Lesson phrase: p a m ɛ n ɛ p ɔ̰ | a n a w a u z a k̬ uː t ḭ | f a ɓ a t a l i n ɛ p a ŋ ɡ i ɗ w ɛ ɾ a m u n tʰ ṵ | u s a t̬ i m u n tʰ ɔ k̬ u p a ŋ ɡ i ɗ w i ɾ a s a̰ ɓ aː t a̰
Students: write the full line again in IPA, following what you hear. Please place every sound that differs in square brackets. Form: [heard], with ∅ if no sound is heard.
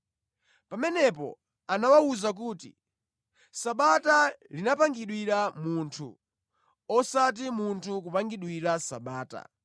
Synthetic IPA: p a m ɛ n ɛ p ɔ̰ | a n a w a u z a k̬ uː t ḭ | [s] a ɓ a t a l i n [a] p a ŋ ɡ i ɗ w [i] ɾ a m u n tʰ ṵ | [ɔ] s a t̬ i m u n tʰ [u] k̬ u p a ŋ ɡ i ɗ w i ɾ a s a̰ ɓ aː t a̰

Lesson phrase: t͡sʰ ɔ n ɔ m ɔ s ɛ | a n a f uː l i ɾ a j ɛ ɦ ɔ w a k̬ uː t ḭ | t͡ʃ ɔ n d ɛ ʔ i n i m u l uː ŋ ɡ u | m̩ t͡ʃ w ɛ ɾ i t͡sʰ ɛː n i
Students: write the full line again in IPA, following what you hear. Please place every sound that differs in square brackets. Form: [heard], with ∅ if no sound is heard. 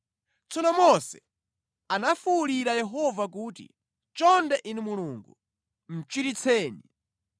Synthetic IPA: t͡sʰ ɔ n ɔ m ɔ s ɛ | a n a f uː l i ɾ a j ɛ ɦ ɔ [v] a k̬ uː t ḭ | t͡ʃ ɔ n d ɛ ʔ i n i m u l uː ŋ ɡ u | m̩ t͡ʃ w [i] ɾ i t͡sʰ ɛː n i

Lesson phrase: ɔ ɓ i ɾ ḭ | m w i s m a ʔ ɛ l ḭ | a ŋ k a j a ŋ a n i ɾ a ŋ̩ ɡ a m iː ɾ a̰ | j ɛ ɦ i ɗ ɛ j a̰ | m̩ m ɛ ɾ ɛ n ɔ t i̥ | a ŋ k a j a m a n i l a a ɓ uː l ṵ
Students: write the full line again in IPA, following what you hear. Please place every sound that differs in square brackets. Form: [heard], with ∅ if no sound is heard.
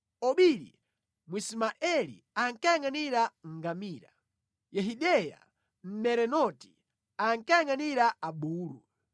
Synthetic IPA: ɔ ɓ i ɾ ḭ | m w i s m a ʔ ɛ l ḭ | a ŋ k a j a ŋ a n i ɾ a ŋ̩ ɡ a m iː ɾ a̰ | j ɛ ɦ i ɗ ɛ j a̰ | m̩ m ɛ ɾ ɛ n ɔ t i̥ | a ŋ k a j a [ŋ] a n i [ɾ] a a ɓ uː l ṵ

